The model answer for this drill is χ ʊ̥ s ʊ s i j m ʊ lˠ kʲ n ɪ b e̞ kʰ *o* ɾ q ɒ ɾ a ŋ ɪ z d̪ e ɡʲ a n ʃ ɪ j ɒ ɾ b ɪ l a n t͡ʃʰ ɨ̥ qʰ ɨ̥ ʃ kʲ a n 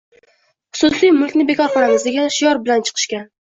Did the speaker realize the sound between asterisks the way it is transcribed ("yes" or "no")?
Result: no